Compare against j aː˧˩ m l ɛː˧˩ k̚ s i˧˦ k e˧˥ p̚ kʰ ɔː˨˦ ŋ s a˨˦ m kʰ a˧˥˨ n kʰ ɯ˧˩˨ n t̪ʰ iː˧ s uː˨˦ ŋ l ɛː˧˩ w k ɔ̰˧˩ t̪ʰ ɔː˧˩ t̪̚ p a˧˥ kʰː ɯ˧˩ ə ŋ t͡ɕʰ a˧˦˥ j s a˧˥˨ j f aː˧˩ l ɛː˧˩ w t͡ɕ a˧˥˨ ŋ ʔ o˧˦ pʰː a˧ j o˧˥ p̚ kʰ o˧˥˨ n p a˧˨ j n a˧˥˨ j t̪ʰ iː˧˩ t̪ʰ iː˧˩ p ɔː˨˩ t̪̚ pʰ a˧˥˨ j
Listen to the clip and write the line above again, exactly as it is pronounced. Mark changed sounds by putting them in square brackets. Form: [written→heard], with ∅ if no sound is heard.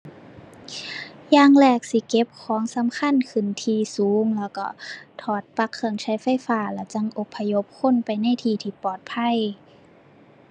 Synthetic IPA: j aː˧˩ [m→ŋ] l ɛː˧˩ k̚ s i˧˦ k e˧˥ p̚ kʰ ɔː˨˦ ŋ s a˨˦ m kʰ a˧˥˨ n kʰ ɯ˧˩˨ n t̪ʰ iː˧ s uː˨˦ ŋ l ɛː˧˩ w k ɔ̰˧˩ t̪ʰ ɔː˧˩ t̪̚ p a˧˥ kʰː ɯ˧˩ ə ŋ t͡ɕʰ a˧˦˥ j [s→f] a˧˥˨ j f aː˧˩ l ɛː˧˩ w t͡ɕ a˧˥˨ ŋ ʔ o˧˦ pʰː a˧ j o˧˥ p̚ kʰ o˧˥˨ n p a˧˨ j n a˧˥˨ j t̪ʰ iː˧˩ t̪ʰ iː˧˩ p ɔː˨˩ t̪̚ pʰ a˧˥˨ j